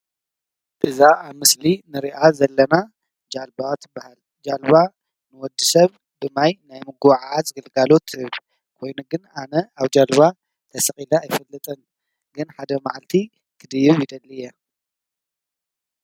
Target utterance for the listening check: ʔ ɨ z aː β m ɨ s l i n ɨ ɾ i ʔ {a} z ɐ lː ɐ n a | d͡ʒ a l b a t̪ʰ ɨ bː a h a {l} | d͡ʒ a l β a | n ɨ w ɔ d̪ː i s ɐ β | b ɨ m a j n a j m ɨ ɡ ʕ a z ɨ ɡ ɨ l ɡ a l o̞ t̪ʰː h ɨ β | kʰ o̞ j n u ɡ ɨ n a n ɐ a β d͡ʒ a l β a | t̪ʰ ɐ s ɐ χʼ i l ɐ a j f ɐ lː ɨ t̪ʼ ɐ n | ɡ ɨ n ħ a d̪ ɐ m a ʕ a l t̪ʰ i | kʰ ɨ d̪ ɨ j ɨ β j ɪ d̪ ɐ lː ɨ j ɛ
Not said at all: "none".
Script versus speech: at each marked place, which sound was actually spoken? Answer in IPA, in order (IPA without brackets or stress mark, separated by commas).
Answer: a, l